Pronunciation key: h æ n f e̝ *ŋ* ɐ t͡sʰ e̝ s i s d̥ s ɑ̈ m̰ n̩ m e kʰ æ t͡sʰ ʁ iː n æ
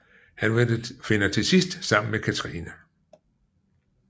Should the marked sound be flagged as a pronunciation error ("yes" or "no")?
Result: yes